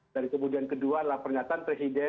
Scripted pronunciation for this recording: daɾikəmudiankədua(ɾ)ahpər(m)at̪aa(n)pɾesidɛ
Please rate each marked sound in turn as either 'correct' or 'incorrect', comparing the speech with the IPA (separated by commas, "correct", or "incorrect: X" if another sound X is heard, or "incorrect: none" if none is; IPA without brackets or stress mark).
incorrect: l, incorrect: ɲ, correct